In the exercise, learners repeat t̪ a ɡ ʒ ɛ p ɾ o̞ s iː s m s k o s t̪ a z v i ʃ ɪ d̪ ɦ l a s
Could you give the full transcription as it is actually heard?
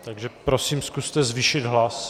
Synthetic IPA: t̪ a ɡ ʒ ɛ p ɾ o̞ s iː m s k u s t̪ ɛ z v i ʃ ɪ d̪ ɦ l a s